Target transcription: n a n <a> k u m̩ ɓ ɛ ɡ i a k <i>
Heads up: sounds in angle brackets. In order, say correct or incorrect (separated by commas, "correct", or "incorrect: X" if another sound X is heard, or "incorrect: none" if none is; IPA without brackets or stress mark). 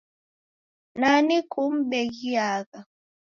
incorrect: i, incorrect: a